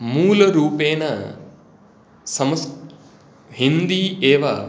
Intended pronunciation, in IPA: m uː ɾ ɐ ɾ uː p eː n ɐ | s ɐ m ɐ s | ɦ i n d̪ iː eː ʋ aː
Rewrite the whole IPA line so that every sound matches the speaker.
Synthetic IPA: m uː l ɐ ɾ uː p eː n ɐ | s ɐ m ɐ s | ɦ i n d̪ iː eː ʋ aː